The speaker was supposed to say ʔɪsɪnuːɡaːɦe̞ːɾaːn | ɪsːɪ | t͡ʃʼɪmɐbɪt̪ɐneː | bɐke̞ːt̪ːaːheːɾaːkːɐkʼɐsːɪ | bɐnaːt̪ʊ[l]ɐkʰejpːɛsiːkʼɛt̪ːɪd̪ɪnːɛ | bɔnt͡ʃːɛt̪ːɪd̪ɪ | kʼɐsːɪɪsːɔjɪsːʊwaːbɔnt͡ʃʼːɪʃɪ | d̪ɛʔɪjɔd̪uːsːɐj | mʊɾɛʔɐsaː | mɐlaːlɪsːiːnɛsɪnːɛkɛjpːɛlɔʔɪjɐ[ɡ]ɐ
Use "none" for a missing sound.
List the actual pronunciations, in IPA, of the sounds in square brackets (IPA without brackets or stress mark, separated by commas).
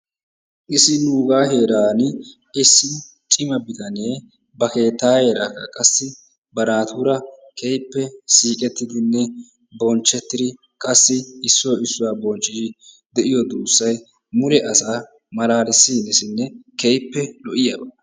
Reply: ɾ, b